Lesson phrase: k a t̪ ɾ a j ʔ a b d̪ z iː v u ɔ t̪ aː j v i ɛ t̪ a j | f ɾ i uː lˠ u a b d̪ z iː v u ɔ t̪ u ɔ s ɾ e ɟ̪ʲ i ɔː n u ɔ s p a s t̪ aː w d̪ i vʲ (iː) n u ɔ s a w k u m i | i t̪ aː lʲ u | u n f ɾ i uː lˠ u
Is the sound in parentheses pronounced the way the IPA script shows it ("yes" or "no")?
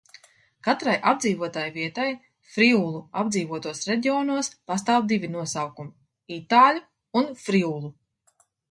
no